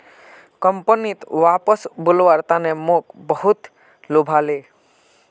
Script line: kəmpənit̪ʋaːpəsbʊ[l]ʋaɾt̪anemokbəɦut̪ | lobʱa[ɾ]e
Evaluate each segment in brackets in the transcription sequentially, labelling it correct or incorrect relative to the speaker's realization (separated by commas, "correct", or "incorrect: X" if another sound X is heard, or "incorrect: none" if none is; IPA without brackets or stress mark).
correct, incorrect: l